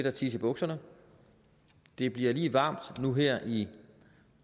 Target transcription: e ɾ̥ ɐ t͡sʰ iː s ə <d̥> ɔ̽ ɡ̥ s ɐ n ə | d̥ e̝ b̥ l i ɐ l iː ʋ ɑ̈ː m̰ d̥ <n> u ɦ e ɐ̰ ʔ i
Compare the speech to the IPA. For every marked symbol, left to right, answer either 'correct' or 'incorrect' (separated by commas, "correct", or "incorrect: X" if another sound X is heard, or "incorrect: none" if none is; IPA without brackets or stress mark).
incorrect: b̥, correct